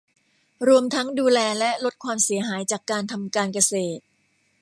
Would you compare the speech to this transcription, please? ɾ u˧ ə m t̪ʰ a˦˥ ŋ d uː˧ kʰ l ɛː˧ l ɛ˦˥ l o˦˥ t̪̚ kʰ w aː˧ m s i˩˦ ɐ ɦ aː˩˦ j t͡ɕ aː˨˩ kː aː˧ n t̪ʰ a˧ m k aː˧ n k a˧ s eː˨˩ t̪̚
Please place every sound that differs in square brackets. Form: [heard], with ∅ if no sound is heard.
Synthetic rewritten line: ɾ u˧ ə m t̪ʰ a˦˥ ŋ d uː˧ [∅] l ɛː˧ l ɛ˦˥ l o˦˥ t̪̚ kʰ w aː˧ m s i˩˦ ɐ ɦ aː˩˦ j t͡ɕ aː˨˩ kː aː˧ n t̪ʰ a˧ m k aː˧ n k a˧ s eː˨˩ t̪̚